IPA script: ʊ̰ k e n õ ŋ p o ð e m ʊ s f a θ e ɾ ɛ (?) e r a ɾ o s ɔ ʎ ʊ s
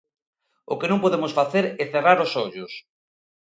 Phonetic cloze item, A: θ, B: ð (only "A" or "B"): A